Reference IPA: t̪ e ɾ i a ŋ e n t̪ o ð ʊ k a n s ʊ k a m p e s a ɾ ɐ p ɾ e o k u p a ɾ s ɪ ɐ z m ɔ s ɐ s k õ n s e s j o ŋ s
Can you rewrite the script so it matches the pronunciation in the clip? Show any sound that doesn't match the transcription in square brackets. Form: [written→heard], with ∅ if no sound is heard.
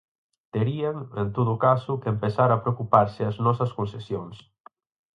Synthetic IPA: t̪ e ɾ i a ŋ e n t̪ o ð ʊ k a [n→∅] s ʊ k [a→e] m p e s a ɾ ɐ p ɾ e o k u p a ɾ s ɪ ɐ z [m→n] ɔ s ɐ s k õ n s e s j o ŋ s